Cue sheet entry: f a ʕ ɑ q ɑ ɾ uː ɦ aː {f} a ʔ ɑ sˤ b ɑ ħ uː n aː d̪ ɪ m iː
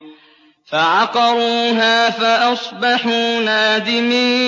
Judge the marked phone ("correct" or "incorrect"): correct